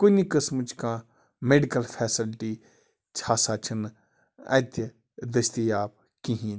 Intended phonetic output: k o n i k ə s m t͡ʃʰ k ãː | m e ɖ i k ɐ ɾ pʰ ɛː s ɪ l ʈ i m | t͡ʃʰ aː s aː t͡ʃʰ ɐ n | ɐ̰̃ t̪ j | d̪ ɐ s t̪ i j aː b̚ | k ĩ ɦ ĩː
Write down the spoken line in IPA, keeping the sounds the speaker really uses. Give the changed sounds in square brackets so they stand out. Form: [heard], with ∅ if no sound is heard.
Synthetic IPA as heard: k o n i k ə s m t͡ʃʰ k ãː | m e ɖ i k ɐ [l] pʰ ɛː s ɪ l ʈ i [∅] | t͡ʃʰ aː s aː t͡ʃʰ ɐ n | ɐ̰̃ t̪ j | d̪ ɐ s t̪ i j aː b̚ | k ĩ ɦ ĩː